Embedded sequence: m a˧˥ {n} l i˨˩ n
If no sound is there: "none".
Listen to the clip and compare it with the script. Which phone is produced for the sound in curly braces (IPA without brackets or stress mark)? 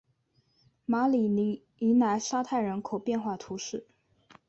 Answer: none